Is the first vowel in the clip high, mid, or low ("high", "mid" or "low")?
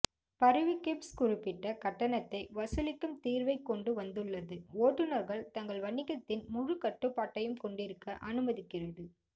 low